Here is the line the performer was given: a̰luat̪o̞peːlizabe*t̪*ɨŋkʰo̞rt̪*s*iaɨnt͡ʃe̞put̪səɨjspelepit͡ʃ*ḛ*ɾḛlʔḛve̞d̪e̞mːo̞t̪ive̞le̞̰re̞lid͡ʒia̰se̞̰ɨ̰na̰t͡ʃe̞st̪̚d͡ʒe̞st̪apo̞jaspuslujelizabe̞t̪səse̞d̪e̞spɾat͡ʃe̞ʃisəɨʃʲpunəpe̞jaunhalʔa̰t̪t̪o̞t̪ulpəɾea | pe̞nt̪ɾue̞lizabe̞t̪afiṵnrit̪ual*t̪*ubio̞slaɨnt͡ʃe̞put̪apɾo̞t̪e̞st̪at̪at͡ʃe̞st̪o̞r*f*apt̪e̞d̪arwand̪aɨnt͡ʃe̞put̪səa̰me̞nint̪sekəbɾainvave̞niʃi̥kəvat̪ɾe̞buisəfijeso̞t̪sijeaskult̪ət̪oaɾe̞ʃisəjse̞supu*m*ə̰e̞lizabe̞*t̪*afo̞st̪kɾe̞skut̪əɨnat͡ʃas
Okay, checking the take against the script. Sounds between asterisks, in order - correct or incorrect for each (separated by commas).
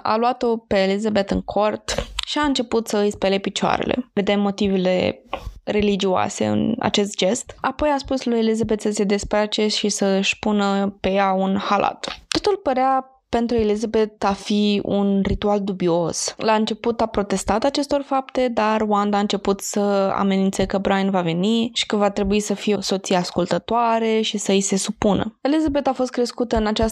correct, incorrect, incorrect, incorrect, correct, incorrect, correct